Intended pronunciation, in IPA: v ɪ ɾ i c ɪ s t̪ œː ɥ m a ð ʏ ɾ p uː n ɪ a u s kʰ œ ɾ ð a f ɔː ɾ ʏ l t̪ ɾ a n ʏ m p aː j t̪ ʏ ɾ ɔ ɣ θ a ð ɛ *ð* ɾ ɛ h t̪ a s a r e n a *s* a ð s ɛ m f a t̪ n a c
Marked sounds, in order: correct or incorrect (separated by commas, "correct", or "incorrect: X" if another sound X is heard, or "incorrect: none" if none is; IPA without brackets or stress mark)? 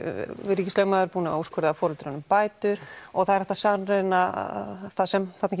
incorrect: none, incorrect: θ